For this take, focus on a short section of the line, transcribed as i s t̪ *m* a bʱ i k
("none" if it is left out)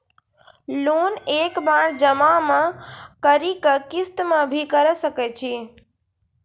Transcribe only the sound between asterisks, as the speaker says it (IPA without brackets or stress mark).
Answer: m